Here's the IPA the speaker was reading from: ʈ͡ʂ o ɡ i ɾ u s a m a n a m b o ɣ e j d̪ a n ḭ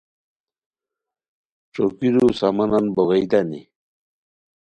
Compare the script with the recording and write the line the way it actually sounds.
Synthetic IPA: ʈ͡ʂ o k i ɾ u s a m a n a n b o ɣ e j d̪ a n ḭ

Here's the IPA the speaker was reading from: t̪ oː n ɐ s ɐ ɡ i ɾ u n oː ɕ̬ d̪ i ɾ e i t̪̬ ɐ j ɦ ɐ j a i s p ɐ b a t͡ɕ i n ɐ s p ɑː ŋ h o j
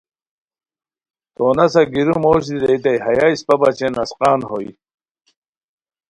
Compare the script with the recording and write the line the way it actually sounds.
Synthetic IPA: t̪ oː n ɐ s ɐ ɡ i ɾ u m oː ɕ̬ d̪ i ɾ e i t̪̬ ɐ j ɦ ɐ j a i s p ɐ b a t͡ɕ e n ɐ s q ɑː n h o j

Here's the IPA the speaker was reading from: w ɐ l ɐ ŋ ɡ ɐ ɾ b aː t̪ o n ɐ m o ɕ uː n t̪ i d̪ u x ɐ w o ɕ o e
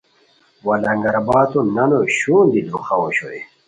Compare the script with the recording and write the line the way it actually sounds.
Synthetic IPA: w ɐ l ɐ ŋ ɡ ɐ ɾ b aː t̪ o n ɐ n o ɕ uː n d̪ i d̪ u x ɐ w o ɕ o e

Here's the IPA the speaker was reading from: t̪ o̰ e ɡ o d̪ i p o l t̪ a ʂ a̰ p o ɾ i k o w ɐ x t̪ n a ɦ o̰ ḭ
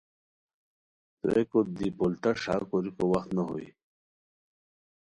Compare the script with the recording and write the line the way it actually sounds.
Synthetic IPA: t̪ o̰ e k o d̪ i p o l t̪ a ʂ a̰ k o ɾ i k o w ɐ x t̪ n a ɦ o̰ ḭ

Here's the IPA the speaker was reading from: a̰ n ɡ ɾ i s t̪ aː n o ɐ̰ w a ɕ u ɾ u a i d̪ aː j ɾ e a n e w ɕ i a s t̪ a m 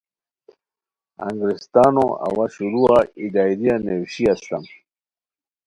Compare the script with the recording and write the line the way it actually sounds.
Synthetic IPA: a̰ ŋ ɡ ɾ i s t̪ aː n o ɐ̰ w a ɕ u ɾ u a i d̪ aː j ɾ i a n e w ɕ i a s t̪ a m

